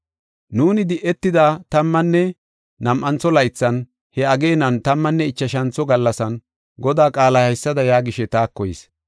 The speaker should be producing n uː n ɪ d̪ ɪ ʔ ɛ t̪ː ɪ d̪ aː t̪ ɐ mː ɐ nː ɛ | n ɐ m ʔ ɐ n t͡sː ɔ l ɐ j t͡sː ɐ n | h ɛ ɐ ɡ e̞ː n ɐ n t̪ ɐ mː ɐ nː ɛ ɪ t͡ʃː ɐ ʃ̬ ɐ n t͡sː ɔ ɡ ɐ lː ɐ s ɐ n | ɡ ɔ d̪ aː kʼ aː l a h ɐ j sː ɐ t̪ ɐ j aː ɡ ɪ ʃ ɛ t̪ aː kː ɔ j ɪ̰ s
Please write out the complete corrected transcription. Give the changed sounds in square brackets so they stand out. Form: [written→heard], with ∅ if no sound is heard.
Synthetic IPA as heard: n uː n ɪ d̪ ɪ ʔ ɛ t̪ː ɪ d̪ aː t̪ ɐ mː ɐ nː ɛ | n ɐ m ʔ ɐ n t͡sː ɔ l ɐ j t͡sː ɐ n | h ɛ ɐ ɡ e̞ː n ɐ n t̪ ɐ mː ɐ nː ɛ ɪ t͡ʃː ɐ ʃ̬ ɐ n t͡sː ɔ ɡ ɐ lː ɐ s ɐ n | ɡ ɔ d̪ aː kʼ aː l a h ɐ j sː ɐ [t̪→d̪] ɐ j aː ɡ ɪ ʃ ɛ t̪ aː kː ɔ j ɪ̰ s